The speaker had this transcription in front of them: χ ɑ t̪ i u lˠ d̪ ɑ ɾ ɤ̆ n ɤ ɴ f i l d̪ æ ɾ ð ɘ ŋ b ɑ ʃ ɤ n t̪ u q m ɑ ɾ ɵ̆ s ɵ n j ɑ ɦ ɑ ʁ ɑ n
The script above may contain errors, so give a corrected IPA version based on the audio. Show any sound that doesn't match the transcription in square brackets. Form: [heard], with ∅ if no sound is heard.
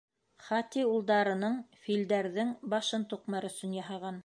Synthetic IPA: χ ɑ t̪ i u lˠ d̪ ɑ ɾ ɤ̆ n ɤ ɴ f i l d̪ æ ɾ ð ɘ ŋ b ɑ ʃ ɤ n t̪ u q m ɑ ɾ ɵ̆ s ɵ n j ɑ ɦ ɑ ʁ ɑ n